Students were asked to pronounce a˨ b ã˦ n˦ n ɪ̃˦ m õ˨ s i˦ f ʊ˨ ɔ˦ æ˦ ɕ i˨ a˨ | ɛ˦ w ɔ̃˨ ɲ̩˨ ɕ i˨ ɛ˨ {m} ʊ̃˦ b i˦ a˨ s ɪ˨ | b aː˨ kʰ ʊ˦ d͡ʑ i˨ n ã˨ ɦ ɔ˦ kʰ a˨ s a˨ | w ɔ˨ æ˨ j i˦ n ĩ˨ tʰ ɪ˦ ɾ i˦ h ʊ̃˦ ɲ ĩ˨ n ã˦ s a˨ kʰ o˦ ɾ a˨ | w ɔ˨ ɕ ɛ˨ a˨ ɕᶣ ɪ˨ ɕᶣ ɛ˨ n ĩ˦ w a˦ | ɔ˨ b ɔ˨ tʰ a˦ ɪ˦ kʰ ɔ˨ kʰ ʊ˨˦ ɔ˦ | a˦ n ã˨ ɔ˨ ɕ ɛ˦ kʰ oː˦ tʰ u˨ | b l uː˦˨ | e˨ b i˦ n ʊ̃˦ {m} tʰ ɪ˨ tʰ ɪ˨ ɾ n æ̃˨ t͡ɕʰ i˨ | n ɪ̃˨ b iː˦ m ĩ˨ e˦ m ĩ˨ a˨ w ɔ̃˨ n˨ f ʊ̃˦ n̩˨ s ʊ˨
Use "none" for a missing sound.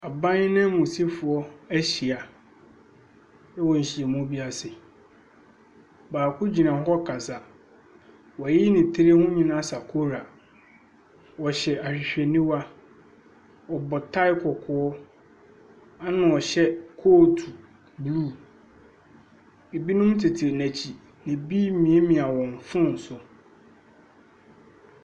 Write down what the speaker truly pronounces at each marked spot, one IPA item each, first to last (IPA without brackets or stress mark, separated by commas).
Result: m, m